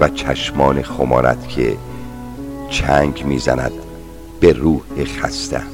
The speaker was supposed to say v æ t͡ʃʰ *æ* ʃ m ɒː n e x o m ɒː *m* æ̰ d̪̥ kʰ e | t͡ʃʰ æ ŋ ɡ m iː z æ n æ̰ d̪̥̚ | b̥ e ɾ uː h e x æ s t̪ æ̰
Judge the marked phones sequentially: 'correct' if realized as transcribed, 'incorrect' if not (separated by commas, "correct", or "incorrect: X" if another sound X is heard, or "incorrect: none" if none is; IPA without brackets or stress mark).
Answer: correct, incorrect: n